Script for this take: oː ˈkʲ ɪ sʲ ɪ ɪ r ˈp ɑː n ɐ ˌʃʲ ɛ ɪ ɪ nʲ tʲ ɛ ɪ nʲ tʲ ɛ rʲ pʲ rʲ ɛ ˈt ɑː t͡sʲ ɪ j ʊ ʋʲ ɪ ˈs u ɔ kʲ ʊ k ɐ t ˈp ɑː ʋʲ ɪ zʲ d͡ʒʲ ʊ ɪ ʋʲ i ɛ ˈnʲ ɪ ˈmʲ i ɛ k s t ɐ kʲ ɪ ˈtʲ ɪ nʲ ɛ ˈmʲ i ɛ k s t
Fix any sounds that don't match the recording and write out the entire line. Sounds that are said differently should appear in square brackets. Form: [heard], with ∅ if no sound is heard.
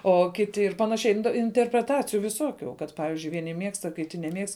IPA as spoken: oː ˈkʲ ɪ [tʲ] ɪ ɪ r ˈp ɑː n ɐ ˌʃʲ ɛ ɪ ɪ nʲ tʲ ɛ ɪ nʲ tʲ ɛ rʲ pʲ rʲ ɛ ˈt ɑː t͡sʲ ɪ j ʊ ʋʲ ɪ ˈs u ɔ kʲ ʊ k ɐ t ˈp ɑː ʋʲ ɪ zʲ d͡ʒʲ ʊ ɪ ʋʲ i ɛ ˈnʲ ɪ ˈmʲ i ɛ k s t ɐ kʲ ɪ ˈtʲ ɪ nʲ ɛ ˈmʲ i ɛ k s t